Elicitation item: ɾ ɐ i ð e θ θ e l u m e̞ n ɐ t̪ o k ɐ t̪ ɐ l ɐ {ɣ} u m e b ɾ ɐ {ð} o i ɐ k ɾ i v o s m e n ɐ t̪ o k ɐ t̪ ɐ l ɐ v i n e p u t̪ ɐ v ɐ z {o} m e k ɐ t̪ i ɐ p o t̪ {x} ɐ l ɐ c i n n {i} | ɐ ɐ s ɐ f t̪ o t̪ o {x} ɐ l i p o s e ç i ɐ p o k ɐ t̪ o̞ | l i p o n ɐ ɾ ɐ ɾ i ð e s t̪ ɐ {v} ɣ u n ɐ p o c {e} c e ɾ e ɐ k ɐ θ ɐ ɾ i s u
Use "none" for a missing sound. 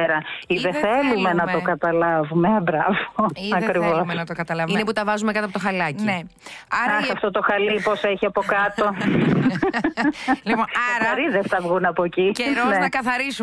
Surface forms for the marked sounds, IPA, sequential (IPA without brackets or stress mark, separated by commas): v, v, u, x, e, x, v, i